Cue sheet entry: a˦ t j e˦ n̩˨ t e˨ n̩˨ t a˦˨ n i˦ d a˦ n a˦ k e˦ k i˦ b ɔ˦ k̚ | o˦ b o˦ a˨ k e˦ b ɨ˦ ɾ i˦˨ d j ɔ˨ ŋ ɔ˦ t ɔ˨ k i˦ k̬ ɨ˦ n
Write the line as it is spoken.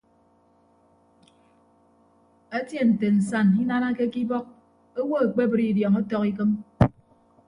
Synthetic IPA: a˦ t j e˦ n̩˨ t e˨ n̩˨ s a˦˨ n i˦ n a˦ n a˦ k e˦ k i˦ b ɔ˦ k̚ | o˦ w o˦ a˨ k͡p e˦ b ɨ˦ ɾ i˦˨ d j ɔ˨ ŋ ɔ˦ t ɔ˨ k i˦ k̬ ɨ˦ m